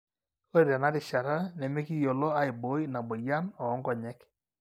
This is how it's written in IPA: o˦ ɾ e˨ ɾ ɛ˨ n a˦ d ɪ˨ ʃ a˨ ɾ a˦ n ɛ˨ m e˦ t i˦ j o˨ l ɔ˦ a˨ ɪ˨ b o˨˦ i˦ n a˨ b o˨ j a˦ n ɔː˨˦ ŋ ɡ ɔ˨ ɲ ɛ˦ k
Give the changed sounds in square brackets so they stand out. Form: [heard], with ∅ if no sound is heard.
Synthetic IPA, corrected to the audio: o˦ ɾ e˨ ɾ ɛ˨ n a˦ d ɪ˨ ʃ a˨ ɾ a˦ n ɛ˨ m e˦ [k] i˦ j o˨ l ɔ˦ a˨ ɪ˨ b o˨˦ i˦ n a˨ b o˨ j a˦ n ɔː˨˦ ŋ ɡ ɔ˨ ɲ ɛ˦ k